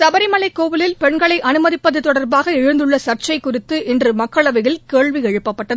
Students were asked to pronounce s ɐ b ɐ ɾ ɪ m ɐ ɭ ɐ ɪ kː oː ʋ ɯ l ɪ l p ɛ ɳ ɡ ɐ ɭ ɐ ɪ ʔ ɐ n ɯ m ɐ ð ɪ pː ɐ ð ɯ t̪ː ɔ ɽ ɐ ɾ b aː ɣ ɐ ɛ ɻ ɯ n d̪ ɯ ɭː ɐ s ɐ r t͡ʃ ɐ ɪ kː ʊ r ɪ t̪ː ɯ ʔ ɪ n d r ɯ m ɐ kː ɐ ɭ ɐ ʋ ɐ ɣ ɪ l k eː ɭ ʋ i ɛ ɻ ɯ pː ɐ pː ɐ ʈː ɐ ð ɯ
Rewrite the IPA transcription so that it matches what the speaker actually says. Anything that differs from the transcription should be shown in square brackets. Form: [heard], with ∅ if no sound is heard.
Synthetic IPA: s ɐ b ɐ ɾ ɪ m ɐ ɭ ɐ ɪ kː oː ʋ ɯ l ɪ l p ɛ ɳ ɡ ɐ ɭ ɐ ɪ ʔ ɐ n ɯ m ɐ ð ɪ pː ɐ ð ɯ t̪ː ɔ ɽ ɐ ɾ b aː ɣ ɐ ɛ ɻ ɯ n d̪ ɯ ɭː ɐ s ɐ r t͡ʃ ɐ ɪ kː ʊ r ɪ t̪ː ɯ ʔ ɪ n d r ɯ m ɐ kː ɐ ɭ ɐ ʋ ɐ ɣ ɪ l k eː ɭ ʋ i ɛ ɻ ɯ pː ɐ pː ɐ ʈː ɐ ð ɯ